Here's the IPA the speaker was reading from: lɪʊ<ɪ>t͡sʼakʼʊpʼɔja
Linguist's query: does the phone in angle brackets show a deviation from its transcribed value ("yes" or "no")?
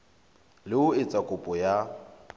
no